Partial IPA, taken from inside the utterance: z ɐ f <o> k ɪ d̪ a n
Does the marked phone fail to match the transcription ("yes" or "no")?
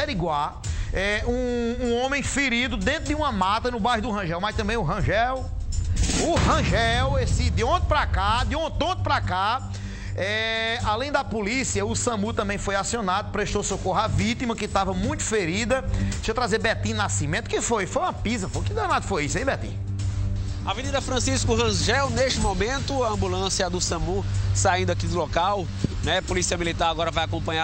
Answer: no